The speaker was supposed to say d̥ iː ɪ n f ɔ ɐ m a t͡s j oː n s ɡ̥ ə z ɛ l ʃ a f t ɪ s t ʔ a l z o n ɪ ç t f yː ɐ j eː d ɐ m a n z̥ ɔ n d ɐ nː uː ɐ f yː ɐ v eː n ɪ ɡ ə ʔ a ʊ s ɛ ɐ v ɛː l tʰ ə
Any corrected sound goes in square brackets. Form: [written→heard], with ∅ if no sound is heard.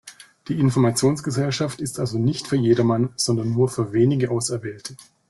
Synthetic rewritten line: d̥ iː ɪ n f ɔ ɐ m a t͡s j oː n s ɡ̥ ə z ɛ l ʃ a f t ɪ s t ʔ a l z o n ɪ ç t f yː ɐ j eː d ɐ m a n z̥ ɔ n d ɐ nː uː ɐ f yː ɐ v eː n ɪ ɡ ə ʔ a ʊ s ɛ ɐ v ɛː l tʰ ə